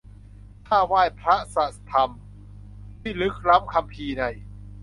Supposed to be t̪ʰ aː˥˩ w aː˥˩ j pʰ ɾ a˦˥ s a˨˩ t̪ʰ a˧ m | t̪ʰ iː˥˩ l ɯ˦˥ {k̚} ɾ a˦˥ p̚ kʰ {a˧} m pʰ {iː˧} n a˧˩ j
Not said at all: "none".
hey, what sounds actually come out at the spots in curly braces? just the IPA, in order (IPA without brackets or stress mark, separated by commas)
k̚, a˧, iː˧